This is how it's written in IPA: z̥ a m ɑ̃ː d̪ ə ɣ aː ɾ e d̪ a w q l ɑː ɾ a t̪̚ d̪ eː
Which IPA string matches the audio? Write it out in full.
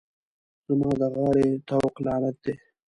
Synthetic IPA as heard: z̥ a m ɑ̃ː d̪ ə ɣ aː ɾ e t̪ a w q l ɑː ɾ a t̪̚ d̪ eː